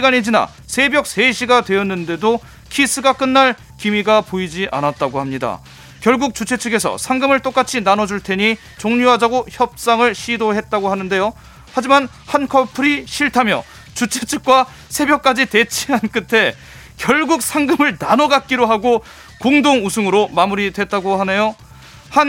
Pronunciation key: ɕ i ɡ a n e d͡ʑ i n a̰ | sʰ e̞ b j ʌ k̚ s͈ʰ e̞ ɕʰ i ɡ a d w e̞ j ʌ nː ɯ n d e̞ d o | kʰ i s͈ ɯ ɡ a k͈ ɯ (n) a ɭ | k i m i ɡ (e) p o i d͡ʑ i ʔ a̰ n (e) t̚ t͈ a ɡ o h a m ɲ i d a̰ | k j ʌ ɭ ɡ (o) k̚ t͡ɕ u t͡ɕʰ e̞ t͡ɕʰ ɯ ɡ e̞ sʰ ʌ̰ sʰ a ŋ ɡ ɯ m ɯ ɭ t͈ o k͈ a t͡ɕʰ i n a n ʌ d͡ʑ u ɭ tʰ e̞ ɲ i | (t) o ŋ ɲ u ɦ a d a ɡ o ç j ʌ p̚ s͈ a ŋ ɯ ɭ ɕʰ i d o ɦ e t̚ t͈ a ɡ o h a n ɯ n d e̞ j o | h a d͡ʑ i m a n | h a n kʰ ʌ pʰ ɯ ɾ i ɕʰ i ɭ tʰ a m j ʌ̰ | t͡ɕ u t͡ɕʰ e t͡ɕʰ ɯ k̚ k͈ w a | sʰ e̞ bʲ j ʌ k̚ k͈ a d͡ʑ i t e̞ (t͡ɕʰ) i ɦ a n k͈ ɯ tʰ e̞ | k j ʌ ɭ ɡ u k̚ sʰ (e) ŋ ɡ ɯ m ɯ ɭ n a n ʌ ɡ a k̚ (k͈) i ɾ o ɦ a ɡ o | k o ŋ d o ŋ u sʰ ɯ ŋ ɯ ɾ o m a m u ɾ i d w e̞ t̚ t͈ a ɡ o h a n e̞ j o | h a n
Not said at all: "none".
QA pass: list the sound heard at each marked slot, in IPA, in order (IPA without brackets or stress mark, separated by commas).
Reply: nː, a, a, u, t͡ɕ, t͡ɕʰ, a, k͈